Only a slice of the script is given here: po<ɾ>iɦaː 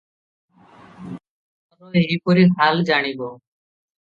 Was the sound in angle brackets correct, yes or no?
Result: yes